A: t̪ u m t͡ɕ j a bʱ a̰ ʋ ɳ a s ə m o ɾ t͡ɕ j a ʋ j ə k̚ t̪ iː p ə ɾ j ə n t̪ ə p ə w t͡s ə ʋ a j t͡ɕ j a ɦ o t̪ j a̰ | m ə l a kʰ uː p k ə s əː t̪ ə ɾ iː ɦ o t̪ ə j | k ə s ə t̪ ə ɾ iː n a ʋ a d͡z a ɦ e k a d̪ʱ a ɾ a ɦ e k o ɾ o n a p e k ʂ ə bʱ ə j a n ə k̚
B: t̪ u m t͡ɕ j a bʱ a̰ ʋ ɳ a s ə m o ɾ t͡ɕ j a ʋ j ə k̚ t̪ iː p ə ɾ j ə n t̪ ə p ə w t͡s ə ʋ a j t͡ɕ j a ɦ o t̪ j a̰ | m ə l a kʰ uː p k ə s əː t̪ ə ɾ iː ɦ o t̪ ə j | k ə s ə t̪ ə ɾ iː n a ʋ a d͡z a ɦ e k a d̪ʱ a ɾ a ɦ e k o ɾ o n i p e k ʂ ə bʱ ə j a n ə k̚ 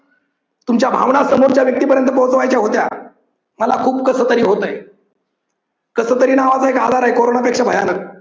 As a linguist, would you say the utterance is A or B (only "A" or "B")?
A